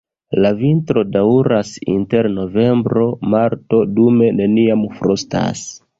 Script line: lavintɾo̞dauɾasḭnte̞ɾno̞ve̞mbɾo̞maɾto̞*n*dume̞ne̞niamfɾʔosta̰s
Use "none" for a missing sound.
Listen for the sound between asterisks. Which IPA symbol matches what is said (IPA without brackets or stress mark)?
none